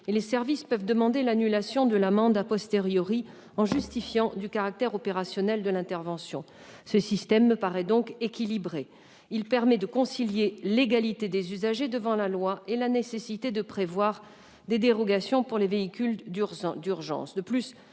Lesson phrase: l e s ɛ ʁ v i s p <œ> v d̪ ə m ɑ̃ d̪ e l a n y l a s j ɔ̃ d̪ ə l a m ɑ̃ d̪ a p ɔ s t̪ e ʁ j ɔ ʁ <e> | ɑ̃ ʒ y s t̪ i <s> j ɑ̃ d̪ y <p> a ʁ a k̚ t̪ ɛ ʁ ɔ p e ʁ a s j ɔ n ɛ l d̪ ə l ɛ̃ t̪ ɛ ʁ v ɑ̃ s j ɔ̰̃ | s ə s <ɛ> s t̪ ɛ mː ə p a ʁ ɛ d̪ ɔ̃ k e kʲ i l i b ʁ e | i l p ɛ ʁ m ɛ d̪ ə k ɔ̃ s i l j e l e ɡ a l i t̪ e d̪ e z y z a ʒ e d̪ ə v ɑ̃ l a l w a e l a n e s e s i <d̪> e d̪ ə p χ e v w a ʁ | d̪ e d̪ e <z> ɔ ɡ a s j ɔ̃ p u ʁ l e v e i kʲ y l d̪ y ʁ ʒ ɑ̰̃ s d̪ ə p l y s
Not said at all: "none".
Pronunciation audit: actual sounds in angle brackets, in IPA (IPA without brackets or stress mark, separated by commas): œ, i, f, k, i, t̪, ʁ